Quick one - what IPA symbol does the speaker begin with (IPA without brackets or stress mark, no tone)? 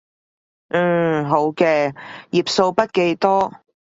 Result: ɦ